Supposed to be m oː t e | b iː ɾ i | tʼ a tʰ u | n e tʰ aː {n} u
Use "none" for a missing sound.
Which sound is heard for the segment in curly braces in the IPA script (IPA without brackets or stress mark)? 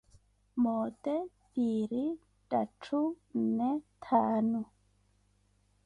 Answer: n